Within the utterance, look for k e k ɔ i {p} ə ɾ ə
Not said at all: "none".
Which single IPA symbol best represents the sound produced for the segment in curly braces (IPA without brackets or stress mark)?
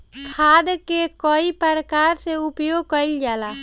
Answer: p